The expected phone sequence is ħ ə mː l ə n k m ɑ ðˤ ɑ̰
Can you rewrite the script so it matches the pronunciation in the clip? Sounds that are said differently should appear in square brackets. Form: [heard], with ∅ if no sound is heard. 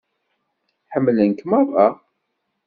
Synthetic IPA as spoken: ħ ə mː l ə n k m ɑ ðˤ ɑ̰